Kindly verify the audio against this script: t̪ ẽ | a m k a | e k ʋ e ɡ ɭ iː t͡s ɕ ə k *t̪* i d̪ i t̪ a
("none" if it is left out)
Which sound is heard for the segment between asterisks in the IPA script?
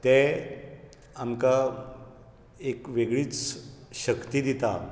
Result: t̪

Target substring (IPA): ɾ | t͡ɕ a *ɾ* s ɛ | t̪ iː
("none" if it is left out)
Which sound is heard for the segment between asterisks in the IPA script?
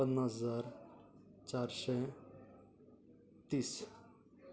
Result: ɾ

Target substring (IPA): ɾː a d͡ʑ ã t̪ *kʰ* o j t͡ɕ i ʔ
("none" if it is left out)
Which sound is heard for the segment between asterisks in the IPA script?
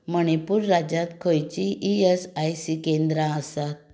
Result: kʰ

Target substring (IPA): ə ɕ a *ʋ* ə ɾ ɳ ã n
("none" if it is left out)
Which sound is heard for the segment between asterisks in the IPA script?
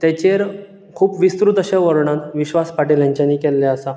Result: ʋ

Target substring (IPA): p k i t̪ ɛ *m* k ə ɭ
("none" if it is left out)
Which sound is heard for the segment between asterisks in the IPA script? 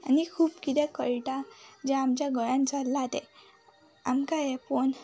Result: none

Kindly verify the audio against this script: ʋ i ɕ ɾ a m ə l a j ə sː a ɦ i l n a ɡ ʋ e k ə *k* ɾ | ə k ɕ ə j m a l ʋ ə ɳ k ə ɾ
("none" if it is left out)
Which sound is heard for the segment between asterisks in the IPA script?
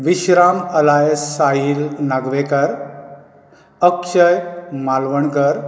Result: none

